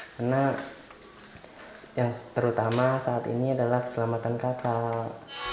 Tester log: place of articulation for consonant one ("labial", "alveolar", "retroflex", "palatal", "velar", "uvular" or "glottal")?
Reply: velar